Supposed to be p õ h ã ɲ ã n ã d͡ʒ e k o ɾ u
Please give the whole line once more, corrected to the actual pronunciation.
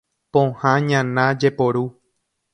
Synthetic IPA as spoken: p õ h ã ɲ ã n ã d͡ʒ e p o ɾ u